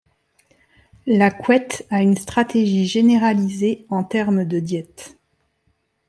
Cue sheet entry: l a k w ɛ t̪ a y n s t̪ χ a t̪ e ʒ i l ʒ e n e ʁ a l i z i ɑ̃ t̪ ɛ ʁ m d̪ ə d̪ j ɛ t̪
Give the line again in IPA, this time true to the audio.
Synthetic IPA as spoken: l a k w ɛ t̪ a y n s t̪ χ a t̪ e ʒ i ʒ e n e ʁ a l i z e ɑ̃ t̪ ɛ ʁ m d̪ ə d̪ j ɛ t̪